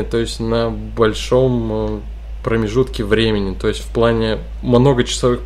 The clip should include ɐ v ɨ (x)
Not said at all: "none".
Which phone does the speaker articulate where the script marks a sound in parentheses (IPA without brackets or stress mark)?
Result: x